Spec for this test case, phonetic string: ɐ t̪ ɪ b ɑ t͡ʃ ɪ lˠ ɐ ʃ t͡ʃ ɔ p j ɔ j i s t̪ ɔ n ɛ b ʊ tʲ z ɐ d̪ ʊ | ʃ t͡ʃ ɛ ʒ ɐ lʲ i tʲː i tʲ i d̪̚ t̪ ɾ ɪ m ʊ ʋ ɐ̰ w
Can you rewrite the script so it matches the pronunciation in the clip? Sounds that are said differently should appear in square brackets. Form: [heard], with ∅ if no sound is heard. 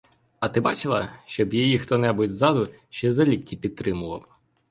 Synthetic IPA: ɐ t̪ ɪ b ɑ t͡ʃ ɪ lˠ ɐ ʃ t͡ʃ ɔ [b] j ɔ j i [x] t̪ ɔ n ɛ b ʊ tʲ z [ɑ] d̪ ʊ | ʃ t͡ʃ ɛ [z] ɐ lʲ i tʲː i [pʲ] i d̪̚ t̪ ɾ ɪ m ʊ ʋ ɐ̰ w